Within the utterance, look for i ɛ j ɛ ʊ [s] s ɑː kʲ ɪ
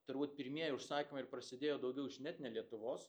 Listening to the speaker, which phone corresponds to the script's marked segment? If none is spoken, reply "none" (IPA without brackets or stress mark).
ʃ